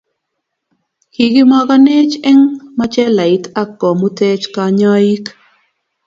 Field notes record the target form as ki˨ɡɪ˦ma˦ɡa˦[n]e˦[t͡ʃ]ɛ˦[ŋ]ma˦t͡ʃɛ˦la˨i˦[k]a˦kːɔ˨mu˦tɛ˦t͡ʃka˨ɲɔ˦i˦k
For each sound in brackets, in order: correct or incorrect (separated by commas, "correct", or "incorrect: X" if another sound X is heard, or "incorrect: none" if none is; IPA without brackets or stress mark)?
correct, correct, correct, incorrect: t